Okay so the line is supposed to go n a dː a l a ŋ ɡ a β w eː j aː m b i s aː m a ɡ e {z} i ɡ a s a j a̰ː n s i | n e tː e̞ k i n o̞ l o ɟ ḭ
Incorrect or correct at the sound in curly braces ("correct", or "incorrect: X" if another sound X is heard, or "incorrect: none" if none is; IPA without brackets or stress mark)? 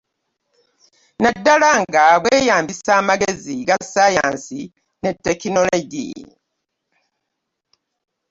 correct